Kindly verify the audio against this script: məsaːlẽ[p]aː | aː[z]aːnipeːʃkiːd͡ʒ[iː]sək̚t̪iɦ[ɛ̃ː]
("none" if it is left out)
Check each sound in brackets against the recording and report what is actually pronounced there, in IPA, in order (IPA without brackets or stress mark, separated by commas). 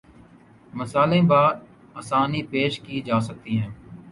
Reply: b, s, aː, ɛ̃ː